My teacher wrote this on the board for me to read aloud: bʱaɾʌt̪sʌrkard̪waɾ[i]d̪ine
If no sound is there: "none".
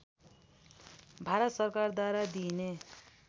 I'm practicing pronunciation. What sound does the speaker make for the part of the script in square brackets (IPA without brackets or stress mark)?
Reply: a